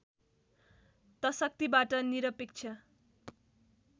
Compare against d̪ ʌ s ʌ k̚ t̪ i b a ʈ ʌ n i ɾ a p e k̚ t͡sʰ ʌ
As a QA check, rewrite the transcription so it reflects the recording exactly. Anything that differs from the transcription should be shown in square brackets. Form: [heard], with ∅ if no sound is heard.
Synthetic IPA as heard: [t̪] ʌ s ʌ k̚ t̪ i b a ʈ ʌ n i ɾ [ʌ] p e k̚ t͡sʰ ʌ

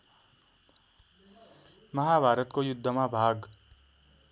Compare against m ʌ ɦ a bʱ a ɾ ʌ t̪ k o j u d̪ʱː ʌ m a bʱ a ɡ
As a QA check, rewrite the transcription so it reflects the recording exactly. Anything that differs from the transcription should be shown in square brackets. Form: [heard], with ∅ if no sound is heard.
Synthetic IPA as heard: m ʌ ɦ a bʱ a ɾ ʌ t̪ k o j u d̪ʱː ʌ m a bʱ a ɡ

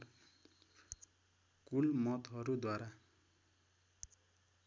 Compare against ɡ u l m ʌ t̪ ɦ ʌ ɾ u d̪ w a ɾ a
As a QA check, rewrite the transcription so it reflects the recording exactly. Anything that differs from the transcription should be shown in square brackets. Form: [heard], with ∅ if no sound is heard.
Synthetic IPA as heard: [k] u l m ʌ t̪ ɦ ʌ ɾ u d̪ w a ɾ a

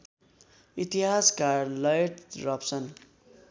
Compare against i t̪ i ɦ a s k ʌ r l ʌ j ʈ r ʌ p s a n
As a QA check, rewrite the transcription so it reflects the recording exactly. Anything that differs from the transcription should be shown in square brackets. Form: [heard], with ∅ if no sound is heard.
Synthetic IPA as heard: i t̪ i ɦ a s k [a] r l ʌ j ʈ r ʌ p s [ʌ] n

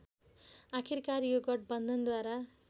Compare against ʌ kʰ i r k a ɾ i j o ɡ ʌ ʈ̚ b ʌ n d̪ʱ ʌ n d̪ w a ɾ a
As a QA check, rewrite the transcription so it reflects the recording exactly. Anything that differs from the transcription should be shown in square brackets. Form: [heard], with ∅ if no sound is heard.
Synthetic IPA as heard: [a] kʰ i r k a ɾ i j o ɡ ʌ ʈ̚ b ʌ n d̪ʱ ʌ n d̪ w a ɾ a

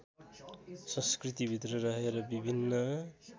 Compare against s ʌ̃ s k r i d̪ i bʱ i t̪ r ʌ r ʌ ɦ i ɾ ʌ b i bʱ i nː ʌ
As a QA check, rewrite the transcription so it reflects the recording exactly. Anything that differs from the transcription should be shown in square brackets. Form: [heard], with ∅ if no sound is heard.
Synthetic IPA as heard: s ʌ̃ s k r i [t̪] i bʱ i t̪ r ʌ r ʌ ɦ [e] ɾ ʌ b i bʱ i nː ʌ

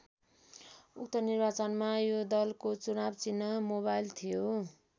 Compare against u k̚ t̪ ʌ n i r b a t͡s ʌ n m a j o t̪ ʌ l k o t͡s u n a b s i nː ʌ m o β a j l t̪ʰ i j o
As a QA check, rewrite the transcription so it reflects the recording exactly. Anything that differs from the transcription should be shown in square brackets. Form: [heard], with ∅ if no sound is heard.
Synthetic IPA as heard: u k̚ t̪ ʌ n i r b a t͡s ʌ n m a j o [d̪] ʌ l k o t͡s u n a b [t͡s] i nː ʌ m o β a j l t̪ʰ i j o

